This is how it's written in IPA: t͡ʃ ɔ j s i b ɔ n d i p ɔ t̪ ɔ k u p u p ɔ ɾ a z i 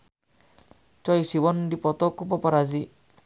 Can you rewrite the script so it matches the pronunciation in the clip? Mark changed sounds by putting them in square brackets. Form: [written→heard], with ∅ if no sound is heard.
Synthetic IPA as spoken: t͡ʃ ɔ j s i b ɔ n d i p ɔ t̪ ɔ k u p [u→ɔ] p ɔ ɾ a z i